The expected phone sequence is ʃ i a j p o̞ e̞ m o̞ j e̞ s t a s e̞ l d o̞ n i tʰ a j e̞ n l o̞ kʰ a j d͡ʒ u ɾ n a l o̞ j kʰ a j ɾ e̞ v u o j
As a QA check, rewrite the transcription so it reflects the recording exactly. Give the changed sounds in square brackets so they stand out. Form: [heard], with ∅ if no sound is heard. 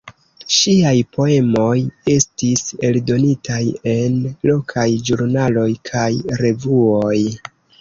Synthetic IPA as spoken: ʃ i a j p o̞ e̞ m o̞ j e̞ s t [i] s e̞ l d o̞ n i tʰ a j e̞ n l o̞ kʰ a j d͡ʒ u ɾ n a l o̞ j kʰ a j ɾ e̞ v u o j